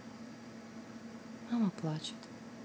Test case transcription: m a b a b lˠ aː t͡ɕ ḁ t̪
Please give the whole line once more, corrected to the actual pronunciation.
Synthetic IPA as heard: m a m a p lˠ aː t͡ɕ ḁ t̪